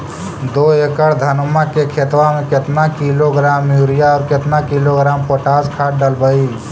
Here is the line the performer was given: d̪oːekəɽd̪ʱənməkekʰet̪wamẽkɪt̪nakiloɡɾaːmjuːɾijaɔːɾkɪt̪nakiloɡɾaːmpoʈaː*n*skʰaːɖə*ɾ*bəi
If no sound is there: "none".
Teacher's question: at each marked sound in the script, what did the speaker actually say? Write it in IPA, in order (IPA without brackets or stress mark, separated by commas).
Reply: none, l